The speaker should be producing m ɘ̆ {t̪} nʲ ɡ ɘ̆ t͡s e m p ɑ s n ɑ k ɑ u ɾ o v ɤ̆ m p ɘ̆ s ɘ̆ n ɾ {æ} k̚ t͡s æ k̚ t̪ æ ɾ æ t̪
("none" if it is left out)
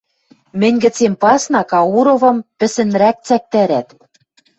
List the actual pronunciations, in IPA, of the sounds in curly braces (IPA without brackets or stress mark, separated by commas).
none, æ